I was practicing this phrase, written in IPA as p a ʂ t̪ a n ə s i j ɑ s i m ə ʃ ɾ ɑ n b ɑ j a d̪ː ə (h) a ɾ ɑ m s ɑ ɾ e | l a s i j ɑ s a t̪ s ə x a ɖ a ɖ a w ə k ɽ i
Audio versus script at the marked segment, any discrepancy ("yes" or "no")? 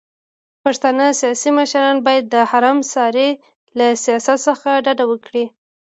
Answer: no